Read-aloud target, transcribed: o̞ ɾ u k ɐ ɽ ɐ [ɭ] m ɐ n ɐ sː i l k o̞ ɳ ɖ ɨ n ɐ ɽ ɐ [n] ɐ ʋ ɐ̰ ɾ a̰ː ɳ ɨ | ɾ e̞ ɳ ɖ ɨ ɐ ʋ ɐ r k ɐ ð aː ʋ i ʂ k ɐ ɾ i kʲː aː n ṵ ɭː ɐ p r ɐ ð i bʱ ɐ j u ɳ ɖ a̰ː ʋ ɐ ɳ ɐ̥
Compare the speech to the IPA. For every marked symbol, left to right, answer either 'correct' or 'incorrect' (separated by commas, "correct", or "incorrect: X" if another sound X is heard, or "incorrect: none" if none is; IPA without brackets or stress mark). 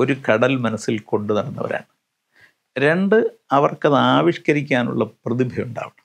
incorrect: l, incorrect: nː